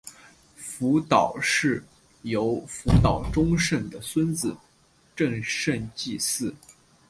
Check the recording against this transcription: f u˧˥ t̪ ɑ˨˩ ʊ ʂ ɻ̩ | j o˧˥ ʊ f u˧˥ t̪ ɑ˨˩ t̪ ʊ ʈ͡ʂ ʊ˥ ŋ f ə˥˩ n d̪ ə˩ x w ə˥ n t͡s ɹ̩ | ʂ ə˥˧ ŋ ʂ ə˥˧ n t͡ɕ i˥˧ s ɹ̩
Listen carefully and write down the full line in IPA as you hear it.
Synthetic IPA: f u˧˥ t̪ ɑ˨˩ ʊ ʂ ɻ̩ | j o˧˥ ʊ f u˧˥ t̪ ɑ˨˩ ʊ ʈ͡ʂ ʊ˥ ŋ ʂ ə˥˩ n d̪ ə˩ s w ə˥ n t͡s ɹ̩ | ʈ͡ʂ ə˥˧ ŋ ʂ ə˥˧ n t͡ɕ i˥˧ s ɹ̩